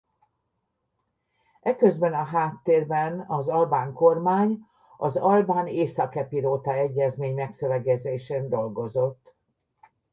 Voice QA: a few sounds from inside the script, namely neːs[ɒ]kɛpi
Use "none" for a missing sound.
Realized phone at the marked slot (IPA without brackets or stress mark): ɒ